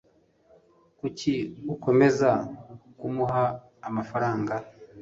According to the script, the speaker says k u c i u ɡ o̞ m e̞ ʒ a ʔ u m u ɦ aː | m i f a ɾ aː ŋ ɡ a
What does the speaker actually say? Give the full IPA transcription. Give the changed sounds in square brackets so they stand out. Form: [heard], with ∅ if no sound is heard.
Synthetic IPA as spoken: k u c i u [k] o̞ m e̞ [z] a [k] u m u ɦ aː | m [a] f a ɾ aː ŋ ɡ a